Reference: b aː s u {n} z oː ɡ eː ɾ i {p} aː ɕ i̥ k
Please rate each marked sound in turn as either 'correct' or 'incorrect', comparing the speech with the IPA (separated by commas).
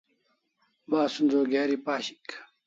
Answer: correct, correct